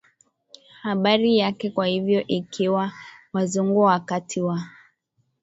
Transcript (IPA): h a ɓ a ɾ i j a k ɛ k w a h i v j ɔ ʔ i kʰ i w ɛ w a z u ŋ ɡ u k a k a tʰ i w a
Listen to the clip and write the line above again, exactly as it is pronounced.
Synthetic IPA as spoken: h a ɓ a ɾ i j a k ɛ k w a h i v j ɔ ʔ i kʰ i w a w a z u ŋ ɡ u a k a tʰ i w a